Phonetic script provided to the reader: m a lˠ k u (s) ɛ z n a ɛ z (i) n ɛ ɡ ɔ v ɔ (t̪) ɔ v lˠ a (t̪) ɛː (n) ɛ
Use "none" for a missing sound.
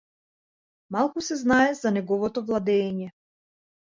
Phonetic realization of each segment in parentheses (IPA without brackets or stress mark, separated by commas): s, a, t̪, d̪, ɲ